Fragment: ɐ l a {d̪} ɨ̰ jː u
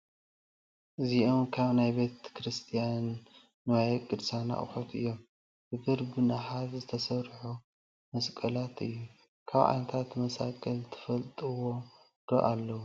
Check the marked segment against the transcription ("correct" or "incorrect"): incorrect